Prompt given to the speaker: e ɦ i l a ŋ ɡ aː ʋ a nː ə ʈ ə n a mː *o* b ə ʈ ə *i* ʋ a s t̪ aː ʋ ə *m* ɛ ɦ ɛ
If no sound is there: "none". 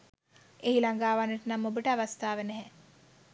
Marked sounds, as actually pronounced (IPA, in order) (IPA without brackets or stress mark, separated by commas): o, a, n